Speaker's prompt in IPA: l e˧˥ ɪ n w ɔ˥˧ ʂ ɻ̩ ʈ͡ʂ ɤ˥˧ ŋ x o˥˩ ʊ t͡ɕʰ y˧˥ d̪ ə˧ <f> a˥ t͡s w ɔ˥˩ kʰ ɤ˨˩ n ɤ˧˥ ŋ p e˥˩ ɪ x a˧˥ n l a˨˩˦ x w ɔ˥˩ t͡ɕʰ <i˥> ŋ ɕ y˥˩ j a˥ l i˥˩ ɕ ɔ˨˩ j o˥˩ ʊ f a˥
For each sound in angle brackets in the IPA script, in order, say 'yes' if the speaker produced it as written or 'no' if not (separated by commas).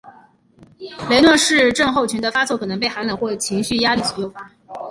yes, no